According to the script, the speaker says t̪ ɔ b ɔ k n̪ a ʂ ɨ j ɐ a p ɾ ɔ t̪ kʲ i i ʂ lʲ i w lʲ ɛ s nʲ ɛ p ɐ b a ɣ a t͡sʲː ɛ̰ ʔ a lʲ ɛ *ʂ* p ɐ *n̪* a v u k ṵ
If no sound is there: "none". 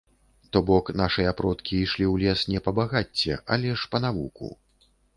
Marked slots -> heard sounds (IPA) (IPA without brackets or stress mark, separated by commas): ʂ, n̪